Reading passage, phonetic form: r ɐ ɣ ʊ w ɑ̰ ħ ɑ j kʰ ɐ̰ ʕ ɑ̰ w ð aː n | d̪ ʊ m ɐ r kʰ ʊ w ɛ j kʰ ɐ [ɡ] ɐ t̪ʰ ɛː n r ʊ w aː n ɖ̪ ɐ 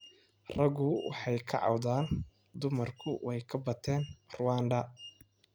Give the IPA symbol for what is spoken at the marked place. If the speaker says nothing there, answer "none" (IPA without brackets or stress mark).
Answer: b